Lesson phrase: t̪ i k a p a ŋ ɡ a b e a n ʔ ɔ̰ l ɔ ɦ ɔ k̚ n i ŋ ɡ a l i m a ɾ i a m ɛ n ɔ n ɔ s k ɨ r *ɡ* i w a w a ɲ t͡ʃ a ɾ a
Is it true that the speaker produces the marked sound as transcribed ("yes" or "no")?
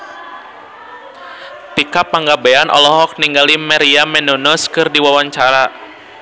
no